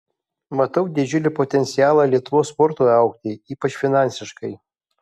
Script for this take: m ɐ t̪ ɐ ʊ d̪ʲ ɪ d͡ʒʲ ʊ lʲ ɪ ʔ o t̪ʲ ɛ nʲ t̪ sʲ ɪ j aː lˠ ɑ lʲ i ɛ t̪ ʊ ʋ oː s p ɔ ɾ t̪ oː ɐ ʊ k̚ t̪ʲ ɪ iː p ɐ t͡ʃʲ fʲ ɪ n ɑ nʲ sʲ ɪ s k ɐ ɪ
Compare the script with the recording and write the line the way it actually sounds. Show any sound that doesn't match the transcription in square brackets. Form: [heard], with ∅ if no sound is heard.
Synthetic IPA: m ɐ t̪ ɐ ʊ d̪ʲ ɪ d͡ʒʲ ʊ lʲ ɪ [p] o t̪ʲ ɛ nʲ t̪ sʲ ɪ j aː lˠ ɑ lʲ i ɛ t̪ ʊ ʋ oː s p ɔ ɾ t̪ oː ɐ ʊ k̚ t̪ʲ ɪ iː p ɐ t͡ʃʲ fʲ ɪ n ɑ nʲ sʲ ɪ [ʃ] k ɐ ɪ